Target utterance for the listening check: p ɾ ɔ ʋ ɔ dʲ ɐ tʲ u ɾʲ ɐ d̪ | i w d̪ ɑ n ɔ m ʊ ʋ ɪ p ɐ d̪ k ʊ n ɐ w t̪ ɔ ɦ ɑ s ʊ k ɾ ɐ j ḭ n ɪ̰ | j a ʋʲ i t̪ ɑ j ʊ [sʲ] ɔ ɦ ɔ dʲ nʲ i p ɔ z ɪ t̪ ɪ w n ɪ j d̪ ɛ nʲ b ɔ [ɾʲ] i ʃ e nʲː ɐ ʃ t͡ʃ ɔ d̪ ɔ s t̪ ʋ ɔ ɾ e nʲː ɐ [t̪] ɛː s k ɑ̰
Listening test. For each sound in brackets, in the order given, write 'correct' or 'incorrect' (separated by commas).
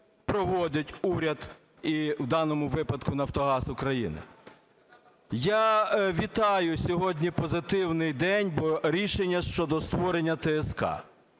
correct, correct, correct